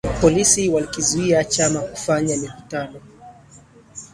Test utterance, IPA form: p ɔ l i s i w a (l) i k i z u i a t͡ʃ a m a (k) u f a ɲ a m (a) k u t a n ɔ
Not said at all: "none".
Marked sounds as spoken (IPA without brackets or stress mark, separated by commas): l, k, i